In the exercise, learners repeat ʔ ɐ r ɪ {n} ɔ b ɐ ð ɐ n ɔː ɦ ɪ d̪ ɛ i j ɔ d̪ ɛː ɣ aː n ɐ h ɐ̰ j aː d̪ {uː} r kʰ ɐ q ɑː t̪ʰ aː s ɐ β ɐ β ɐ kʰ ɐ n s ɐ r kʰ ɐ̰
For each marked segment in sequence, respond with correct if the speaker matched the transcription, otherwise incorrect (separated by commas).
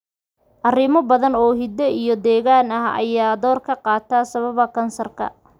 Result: incorrect, incorrect